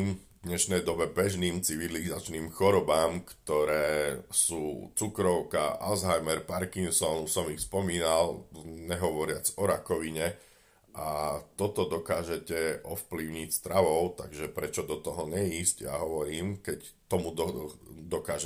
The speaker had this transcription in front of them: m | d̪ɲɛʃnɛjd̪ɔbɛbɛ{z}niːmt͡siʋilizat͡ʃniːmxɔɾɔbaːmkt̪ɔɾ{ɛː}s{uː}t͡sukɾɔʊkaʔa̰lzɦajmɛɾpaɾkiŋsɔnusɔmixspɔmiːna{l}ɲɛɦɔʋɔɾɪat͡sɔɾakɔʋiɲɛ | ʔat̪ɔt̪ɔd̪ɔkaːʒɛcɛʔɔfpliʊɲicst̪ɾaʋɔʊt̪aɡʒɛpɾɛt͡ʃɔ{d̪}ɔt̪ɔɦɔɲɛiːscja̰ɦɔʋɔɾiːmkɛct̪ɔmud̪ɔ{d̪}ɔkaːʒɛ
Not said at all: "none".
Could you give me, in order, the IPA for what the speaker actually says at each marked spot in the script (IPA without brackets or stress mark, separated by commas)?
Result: ʒ, ɛː, uː, l, d̪, d̪